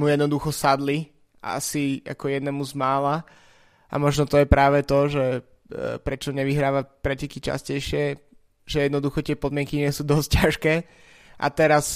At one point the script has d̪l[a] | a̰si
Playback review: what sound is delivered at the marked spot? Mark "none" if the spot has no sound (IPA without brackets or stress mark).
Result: i